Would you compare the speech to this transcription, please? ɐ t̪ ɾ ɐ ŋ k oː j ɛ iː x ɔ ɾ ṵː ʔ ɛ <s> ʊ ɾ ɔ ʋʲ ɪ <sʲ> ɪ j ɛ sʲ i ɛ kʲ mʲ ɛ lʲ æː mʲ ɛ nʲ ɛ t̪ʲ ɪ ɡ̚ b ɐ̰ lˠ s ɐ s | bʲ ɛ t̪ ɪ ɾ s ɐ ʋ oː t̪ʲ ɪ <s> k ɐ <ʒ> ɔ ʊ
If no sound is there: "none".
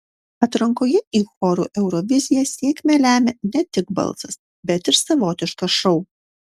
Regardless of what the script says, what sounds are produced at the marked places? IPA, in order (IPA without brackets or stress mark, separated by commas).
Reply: none, zʲ, ʃ, ʃ